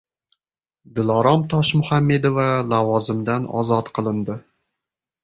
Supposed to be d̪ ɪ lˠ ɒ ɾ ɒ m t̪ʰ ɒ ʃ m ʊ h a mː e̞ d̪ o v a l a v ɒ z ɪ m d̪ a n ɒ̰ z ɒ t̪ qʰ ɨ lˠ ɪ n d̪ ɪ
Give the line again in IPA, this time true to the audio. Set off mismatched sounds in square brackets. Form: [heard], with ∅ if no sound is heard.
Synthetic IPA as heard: d̪ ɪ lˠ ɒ ɾ ɒ m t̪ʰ ɒ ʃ m ʊ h a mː e̞ d̪ o v a l a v ɒ z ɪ m d̪ a n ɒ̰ z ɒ t̪ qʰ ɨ lˠ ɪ n d̪ ɪ